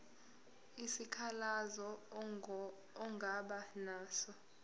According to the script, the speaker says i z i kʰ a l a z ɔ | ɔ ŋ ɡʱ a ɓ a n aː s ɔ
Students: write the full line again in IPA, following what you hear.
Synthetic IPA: i s i kʰ a l a z ɔ | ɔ ŋ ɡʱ a ɓ a n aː s ɔ